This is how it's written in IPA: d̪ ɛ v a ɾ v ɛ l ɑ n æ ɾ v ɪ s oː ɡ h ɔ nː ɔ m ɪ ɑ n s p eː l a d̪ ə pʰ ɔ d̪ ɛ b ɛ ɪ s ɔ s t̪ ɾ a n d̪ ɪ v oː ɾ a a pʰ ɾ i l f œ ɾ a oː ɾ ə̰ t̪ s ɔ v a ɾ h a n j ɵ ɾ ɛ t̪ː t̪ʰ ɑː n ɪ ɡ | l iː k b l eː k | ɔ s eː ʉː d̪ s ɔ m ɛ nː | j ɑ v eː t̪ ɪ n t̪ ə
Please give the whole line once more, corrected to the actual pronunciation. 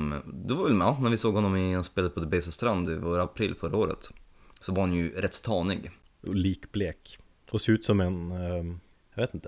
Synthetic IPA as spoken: d̪ ɛ v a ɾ v ɛ l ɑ n æ ɾ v ɪ s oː ɡ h ɔ nː ɔ m ɪ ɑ n s p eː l a d̪ ə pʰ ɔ d̪ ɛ b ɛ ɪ s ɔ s t̪ ɾ a n d̪ ɪ v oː ɾ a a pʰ ɾ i l f œ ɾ a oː ɾ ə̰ t̪ s ɔ v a ɾ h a n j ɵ ɾ ɛ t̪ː t̪ʰ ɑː n ɪ ɡ | l iː k b l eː k | ɔ s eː ʉː t̪ s ɔ m ɛ n | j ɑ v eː t̪ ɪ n t̪ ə